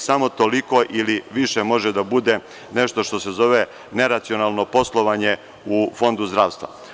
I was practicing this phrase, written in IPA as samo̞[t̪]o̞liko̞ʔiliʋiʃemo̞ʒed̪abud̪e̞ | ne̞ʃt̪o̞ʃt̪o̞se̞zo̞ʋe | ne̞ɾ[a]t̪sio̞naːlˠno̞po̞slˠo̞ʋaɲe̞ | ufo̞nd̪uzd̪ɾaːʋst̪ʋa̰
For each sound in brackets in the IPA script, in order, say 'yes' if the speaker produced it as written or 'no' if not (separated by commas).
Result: yes, yes